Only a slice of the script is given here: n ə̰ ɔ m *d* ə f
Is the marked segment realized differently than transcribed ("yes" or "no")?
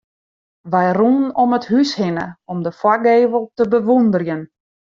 no